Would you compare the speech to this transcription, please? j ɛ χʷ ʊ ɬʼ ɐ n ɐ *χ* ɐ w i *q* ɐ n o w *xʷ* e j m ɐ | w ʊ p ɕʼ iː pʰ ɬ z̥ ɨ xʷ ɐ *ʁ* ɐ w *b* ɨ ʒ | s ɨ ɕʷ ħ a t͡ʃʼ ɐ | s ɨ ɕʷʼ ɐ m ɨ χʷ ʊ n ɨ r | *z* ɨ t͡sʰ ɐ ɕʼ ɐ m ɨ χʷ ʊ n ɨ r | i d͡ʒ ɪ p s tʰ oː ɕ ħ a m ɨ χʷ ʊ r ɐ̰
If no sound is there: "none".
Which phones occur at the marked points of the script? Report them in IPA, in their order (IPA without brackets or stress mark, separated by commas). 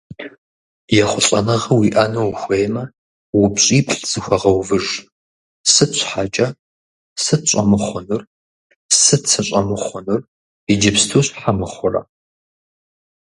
ʁ, ʔ, xʷ, ʁ, v, s